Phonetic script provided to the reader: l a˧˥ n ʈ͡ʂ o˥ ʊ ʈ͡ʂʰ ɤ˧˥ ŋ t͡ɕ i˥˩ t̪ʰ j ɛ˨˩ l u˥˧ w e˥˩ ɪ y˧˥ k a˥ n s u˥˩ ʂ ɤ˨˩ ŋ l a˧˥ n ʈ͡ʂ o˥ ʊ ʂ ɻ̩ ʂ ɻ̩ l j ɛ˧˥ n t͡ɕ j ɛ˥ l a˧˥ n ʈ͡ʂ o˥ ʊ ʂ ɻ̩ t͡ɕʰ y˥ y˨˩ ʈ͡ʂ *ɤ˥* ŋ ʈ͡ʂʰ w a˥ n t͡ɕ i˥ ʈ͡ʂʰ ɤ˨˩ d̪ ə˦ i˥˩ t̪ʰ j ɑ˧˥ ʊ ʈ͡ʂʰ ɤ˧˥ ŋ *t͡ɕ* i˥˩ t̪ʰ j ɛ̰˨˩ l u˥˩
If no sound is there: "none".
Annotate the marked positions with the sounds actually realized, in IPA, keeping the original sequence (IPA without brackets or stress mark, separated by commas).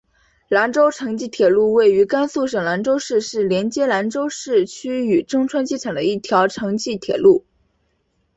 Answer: ɤ˥, t͡ɕ